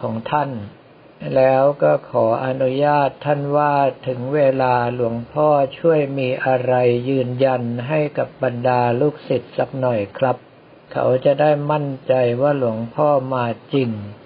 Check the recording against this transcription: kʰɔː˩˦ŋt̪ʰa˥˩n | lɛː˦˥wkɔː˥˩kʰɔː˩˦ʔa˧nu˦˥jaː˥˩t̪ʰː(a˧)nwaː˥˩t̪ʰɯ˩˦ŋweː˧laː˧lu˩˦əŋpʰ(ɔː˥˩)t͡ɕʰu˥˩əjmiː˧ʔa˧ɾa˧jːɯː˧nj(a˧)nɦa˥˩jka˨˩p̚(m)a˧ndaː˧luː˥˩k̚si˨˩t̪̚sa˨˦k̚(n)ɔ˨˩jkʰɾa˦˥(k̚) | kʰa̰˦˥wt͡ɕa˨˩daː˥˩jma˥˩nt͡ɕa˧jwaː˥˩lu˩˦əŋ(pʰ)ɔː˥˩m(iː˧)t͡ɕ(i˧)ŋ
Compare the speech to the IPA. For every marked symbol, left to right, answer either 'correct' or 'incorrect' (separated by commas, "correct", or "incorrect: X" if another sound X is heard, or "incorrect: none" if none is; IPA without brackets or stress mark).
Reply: incorrect: a˥˩, correct, correct, incorrect: b, correct, incorrect: p̚, correct, incorrect: aː˧, correct